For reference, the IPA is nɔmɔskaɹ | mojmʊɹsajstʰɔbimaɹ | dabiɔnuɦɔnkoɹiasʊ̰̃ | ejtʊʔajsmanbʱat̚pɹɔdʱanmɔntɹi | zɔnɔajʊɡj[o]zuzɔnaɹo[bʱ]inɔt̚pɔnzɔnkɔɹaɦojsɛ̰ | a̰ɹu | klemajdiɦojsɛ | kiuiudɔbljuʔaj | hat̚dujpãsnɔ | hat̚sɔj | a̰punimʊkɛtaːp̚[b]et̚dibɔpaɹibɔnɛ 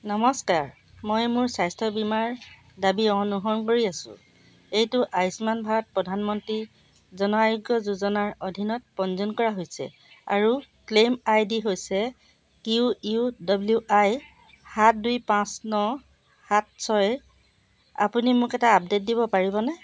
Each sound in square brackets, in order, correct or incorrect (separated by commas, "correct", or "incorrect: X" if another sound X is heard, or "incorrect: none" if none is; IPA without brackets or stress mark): incorrect: ɔ, incorrect: dʱ, incorrect: d